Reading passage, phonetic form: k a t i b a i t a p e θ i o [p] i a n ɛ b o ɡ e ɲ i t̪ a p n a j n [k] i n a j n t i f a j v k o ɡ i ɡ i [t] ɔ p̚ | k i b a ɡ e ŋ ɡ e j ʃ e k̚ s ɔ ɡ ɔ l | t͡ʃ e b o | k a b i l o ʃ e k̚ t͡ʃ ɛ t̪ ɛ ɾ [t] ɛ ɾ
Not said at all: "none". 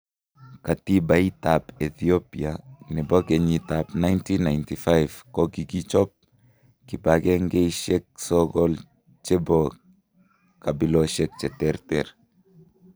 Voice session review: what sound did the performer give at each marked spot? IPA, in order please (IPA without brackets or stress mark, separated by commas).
p, t, t͡ʃ, t